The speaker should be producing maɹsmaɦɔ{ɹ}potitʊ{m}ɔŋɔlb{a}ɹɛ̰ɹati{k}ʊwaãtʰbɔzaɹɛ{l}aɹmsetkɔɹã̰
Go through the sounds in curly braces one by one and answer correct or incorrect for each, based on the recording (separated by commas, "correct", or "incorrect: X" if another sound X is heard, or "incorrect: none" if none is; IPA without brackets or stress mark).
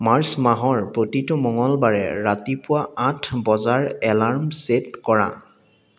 correct, correct, correct, incorrect: p, correct